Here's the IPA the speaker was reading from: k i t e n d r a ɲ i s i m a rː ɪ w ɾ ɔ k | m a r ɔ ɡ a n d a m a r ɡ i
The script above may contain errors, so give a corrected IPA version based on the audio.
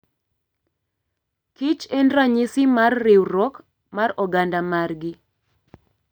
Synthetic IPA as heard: k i t͡ʃ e n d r a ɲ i s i m a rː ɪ w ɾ ɔ k | m a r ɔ ɡ a n d a m a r ɡ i